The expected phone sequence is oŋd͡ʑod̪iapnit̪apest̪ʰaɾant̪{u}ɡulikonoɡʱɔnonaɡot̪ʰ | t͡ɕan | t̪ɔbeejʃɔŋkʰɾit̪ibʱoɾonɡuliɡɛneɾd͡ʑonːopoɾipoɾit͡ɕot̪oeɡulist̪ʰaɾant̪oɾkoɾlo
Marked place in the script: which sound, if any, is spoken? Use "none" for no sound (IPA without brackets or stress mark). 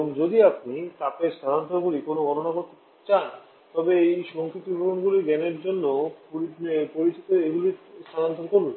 o